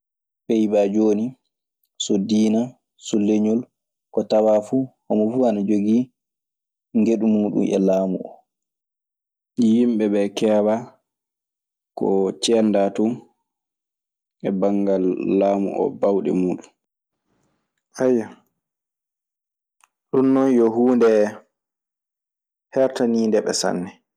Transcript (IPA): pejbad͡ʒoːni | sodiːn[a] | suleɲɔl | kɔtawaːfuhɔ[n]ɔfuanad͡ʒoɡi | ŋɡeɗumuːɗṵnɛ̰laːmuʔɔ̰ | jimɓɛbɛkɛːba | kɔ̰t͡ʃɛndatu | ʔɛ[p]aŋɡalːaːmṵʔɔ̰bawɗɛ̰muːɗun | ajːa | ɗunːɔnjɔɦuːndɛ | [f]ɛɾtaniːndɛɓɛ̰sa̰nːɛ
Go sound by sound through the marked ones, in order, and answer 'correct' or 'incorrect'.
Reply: correct, incorrect, incorrect, incorrect

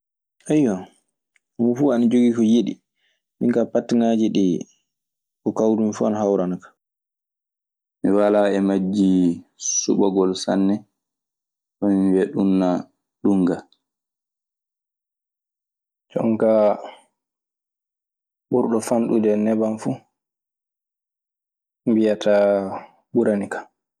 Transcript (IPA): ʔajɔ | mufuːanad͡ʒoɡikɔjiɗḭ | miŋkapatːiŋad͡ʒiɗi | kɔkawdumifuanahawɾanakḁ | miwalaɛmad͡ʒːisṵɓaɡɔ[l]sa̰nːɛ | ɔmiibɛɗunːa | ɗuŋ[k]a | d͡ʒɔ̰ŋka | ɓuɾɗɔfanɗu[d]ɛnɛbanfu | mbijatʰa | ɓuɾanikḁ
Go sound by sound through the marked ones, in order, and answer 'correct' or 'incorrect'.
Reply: correct, incorrect, correct

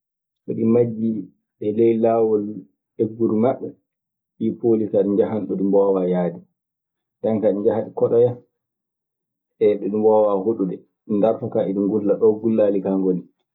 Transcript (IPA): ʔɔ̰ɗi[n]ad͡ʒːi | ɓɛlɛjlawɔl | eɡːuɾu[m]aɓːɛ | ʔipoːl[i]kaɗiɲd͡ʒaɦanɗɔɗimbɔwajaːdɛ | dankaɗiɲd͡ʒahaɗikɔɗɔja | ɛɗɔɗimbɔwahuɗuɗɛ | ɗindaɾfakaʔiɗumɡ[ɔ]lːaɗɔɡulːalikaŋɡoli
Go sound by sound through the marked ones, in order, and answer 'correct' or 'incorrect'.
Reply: incorrect, correct, correct, incorrect

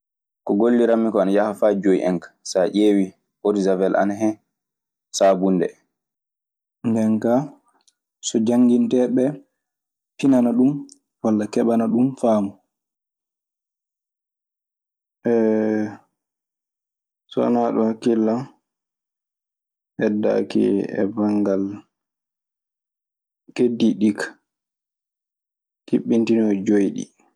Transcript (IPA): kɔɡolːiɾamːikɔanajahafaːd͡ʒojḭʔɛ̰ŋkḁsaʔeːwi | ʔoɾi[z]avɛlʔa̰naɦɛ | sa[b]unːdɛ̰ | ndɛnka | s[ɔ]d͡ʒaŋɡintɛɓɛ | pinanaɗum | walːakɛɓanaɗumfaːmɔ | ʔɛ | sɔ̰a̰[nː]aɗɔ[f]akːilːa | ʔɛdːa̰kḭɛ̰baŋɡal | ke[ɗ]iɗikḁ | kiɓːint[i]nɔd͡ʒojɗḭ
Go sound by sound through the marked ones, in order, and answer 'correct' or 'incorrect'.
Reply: correct, correct, correct, incorrect, incorrect, incorrect, correct

